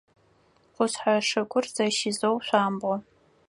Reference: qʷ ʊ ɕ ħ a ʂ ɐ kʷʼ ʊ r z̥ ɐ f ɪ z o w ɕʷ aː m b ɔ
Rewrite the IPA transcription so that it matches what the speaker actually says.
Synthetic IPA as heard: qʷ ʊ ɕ ħ a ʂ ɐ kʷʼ ʊ r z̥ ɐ ʃ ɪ z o w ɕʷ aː m b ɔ